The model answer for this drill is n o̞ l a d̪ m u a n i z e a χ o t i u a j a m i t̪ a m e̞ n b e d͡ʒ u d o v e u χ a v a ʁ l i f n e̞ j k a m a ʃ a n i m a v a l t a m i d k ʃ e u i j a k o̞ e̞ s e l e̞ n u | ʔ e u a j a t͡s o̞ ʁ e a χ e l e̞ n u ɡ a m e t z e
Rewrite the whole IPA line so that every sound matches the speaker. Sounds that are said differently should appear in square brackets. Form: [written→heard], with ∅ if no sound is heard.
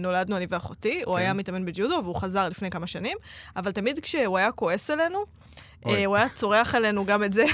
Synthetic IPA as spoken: n o̞ l a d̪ [m→n] u a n i [z→v] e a χ o t i u a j a m i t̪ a m e̞ n b e d͡ʒ u d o v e u χ a [v→z] a ʁ l i f n e̞ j k a m a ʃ a n i m a v a l t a m i d k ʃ e u [i→a] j a k o̞ e̞ s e l e̞ n u | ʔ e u a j a t͡s o̞ ʁ e a χ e l e̞ n u ɡ a m e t z e